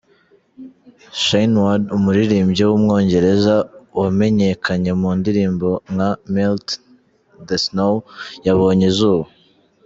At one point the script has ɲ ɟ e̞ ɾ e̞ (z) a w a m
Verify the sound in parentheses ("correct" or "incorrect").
correct